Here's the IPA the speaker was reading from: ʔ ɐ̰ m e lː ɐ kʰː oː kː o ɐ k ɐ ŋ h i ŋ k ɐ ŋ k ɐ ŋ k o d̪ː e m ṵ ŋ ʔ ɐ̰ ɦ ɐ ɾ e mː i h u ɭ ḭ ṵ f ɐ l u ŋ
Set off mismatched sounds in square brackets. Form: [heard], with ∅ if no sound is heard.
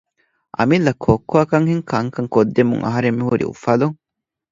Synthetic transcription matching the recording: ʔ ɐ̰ m [i] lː ɐ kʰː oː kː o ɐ k ɐ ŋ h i ŋ k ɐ ŋ k ɐ ŋ k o d̪ː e m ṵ ŋ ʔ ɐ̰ ɦ ɐ ɾ e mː i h u [ɾ] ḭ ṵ f ɐ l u ŋ